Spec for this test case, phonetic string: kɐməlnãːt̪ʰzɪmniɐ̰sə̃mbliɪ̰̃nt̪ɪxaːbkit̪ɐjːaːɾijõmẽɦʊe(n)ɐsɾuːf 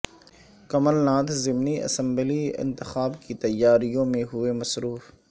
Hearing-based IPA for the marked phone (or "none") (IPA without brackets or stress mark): m